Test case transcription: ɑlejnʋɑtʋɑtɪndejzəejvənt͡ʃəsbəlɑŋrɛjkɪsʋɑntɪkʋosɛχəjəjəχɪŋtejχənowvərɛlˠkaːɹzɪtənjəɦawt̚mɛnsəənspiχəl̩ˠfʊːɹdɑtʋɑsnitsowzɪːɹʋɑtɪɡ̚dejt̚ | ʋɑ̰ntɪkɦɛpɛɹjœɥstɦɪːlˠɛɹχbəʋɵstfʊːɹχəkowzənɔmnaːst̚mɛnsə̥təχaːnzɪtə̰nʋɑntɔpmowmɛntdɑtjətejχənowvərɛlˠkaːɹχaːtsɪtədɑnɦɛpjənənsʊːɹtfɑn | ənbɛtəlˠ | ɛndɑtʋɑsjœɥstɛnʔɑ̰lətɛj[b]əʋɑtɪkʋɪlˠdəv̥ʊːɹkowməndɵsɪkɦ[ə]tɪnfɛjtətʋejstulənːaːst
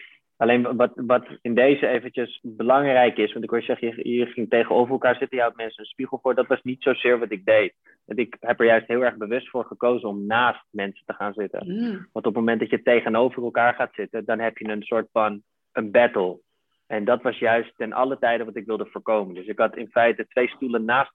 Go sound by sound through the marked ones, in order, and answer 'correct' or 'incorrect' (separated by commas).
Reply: incorrect, incorrect